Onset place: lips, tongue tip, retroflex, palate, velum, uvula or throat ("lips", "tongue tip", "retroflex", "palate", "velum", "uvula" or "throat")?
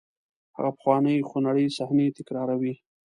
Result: throat